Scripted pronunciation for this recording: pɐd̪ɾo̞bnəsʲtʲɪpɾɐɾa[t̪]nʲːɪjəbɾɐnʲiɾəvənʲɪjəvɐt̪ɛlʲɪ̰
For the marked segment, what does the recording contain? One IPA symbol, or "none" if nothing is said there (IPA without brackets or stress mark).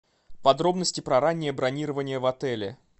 none